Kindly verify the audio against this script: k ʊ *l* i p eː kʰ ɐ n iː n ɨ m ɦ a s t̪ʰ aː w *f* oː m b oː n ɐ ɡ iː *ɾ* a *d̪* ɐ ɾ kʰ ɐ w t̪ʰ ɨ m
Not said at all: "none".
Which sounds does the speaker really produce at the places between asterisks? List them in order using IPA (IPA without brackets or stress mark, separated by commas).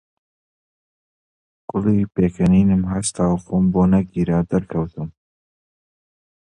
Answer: l, f, ɾ, d̪